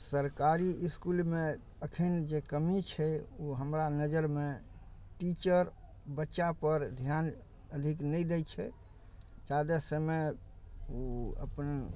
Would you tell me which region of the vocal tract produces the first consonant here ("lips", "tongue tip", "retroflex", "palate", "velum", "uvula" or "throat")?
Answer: tongue tip